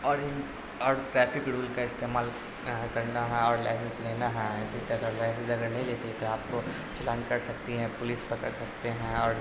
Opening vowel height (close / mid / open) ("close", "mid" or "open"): mid